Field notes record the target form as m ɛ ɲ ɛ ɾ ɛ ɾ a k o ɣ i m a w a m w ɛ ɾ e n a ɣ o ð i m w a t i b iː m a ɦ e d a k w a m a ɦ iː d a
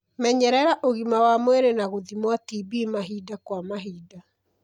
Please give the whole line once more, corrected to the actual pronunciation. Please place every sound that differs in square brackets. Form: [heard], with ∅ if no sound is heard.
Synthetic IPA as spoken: m ɛ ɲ ɛ ɾ ɛ ɾ a [ʔ] o ɣ i m a w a m w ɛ ɾ e n a ɣ o ð i m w a t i b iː m a ɦ [i] d a k w a m a ɦ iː d a